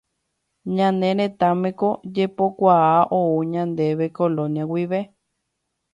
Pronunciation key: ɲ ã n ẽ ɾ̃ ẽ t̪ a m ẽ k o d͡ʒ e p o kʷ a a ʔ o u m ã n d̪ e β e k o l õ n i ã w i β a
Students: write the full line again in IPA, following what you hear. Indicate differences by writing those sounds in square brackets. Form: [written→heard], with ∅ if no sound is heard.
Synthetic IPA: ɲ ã n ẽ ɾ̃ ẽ t̪ a m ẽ k o d͡ʒ e p o kʷ a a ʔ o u [m→ɲ] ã n d̪ e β e k o l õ n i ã w i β [a→e]

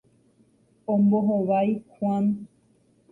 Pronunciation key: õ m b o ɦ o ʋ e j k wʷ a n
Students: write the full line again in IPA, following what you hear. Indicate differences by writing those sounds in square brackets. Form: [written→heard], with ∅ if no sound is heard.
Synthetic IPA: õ m b o ɦ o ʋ [e→a] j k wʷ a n

